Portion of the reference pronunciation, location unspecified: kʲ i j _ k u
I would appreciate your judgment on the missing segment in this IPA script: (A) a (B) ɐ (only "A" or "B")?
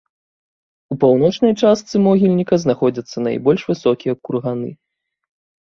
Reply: B